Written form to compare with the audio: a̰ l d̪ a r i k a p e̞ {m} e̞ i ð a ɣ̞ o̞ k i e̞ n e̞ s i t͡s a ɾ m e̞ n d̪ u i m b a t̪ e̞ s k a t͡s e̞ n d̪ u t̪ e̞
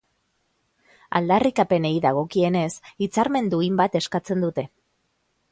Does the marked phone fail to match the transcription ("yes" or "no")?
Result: yes